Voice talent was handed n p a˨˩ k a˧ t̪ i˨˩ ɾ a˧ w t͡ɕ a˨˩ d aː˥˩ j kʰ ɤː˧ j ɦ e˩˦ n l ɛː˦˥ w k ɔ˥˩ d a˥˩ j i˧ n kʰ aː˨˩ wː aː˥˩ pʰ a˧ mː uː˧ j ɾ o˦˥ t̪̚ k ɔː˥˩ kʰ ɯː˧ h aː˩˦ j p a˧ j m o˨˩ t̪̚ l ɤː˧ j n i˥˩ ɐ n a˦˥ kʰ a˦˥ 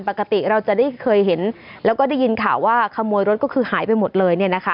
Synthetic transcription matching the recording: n p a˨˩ k a˧ t̪ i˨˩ ɾ a˧ w t͡ɕ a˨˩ d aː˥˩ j kʰ ɤː˧ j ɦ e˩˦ n l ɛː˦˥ w k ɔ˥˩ d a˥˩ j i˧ n kʰ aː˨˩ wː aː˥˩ kʰ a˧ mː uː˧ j ɾ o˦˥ t̪̚ k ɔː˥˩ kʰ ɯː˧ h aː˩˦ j p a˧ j m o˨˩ t̪̚ l ɤː˧ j n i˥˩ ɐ n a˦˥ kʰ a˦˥